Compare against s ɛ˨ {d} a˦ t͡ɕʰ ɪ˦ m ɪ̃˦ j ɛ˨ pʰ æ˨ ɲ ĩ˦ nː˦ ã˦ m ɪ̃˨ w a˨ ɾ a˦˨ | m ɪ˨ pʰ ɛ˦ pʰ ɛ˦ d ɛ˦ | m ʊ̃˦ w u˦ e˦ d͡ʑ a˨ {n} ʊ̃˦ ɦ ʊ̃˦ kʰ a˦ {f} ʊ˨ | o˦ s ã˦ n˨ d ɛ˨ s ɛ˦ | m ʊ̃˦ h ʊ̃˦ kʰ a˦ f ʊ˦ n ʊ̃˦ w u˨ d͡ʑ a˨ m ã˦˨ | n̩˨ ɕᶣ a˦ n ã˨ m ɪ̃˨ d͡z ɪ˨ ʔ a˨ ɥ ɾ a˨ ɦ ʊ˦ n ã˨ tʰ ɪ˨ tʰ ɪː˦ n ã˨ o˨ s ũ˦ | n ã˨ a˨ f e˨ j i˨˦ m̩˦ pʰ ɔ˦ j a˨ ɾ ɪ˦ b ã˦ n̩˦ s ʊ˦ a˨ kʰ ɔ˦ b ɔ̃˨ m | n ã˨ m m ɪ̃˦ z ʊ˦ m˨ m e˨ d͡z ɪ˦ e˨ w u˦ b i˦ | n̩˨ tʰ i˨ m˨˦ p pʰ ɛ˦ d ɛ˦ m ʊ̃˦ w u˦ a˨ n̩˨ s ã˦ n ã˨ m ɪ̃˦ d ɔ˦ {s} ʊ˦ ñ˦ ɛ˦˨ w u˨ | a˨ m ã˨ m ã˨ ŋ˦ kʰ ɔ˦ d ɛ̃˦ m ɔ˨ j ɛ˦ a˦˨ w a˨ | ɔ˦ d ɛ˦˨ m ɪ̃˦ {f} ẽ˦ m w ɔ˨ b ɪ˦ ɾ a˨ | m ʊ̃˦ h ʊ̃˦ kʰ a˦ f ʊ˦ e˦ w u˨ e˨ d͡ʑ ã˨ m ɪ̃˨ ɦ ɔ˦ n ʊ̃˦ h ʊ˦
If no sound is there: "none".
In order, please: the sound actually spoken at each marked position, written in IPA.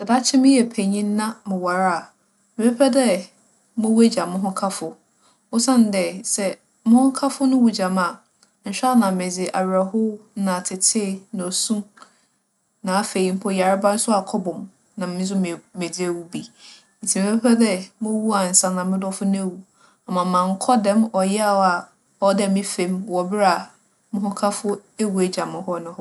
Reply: d, m, f, f, f

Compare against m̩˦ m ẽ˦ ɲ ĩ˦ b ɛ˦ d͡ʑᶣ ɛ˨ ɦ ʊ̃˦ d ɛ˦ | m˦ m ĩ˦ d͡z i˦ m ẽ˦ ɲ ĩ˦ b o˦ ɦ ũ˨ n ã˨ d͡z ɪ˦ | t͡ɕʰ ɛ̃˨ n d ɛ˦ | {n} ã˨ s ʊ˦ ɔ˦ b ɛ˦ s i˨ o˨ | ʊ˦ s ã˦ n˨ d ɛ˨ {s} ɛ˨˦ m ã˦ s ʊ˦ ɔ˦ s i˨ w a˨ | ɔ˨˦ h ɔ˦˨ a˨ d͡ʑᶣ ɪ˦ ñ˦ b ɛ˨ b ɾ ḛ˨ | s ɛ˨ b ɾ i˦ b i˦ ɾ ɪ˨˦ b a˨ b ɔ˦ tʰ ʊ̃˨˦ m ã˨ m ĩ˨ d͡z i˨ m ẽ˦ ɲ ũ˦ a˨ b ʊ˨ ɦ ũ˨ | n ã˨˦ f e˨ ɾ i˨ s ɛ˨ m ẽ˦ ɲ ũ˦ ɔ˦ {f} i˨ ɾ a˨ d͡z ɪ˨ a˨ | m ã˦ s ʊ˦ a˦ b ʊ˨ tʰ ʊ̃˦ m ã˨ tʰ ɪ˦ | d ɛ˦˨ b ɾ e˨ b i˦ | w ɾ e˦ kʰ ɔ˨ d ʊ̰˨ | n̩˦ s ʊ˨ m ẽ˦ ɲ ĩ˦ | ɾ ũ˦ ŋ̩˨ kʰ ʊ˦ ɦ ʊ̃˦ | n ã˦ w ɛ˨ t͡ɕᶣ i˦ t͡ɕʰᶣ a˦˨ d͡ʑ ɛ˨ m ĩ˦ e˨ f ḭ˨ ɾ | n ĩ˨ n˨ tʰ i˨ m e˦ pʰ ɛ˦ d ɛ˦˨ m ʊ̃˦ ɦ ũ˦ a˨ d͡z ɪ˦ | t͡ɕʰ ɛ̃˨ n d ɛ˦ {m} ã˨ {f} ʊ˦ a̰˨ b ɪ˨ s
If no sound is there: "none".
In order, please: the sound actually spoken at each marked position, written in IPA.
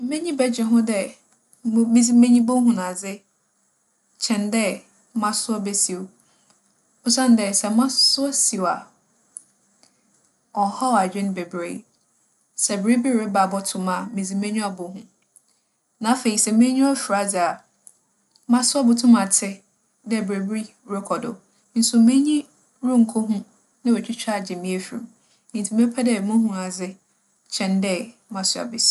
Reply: m, s, f, m, s

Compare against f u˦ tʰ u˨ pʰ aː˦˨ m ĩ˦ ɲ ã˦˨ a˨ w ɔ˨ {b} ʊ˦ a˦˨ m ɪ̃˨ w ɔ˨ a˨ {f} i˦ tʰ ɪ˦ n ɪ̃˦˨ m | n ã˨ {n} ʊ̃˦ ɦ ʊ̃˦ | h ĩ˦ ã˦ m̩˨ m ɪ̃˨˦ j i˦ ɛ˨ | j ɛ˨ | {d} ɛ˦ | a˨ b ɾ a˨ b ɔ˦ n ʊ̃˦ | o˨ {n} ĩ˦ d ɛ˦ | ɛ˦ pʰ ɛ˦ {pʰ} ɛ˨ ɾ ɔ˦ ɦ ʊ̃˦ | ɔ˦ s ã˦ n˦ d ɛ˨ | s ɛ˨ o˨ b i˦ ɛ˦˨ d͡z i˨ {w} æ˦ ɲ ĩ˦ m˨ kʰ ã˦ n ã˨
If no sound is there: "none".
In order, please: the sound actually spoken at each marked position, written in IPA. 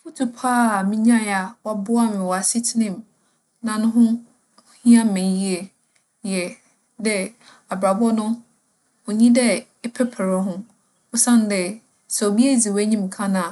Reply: b, s, n, d, ɲ, pʰ, w

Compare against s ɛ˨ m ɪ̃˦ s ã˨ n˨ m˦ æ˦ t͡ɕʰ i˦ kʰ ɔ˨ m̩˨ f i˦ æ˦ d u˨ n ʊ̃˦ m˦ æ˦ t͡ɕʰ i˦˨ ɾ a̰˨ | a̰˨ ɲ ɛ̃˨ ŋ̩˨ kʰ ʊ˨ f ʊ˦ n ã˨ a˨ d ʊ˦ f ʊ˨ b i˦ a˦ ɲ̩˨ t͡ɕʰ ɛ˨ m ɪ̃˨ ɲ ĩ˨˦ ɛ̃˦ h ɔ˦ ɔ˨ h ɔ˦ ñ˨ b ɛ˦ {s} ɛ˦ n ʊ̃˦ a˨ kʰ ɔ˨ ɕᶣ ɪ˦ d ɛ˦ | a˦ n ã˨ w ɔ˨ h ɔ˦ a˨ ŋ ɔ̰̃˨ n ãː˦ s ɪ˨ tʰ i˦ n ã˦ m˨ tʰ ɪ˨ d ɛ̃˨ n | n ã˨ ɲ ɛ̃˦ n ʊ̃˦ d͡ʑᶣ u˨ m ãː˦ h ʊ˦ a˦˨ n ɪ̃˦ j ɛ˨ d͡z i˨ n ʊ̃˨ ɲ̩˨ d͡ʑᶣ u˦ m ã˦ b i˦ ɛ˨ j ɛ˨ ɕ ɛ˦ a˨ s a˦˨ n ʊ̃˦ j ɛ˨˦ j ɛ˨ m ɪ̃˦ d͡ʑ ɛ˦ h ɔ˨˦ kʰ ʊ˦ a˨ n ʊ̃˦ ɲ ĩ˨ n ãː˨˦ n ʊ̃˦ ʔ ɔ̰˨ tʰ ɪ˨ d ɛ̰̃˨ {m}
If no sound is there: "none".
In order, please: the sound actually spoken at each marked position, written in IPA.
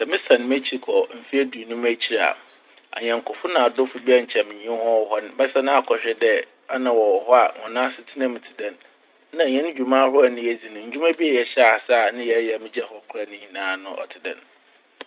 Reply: s, n

